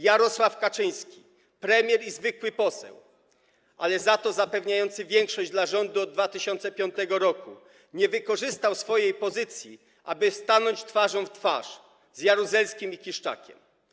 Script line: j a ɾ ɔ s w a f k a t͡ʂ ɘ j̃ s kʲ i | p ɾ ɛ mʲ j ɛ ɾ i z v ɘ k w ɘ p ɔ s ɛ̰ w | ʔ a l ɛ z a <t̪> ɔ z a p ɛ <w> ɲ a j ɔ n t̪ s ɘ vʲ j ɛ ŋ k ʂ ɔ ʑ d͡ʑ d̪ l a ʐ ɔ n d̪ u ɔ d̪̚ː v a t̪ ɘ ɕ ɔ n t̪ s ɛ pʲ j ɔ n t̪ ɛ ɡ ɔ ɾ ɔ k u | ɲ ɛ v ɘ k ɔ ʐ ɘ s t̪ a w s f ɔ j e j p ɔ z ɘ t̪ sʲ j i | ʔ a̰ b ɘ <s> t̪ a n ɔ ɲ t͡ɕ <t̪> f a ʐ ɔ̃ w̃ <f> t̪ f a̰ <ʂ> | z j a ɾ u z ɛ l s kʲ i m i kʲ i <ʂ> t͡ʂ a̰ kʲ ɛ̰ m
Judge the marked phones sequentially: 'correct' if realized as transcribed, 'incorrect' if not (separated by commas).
correct, incorrect, correct, correct, correct, correct, correct